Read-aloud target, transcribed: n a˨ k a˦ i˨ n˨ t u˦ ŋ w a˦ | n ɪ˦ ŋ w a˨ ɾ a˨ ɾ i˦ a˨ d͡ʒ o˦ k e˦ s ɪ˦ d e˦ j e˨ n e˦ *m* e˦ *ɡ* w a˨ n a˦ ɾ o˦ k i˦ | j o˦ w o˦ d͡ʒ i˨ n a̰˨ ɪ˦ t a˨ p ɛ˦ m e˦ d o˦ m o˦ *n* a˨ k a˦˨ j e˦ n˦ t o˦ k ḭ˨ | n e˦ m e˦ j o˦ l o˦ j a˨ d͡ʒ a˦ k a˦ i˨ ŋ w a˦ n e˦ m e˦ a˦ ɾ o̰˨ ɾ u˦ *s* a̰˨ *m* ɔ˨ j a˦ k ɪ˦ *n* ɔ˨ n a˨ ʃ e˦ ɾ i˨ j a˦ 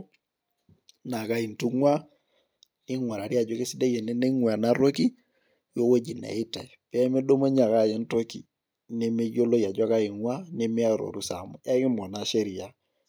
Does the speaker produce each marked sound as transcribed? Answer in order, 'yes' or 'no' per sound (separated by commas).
no, no, no, yes, yes, no